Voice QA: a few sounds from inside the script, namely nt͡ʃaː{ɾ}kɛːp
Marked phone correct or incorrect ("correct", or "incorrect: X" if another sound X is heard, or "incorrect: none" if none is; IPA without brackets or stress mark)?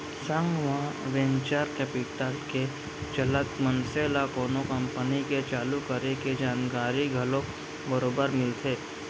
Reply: correct